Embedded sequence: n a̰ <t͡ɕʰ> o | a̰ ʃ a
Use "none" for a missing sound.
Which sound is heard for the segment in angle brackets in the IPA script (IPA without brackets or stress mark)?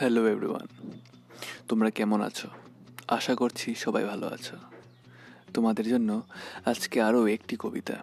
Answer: t͡ɕʰ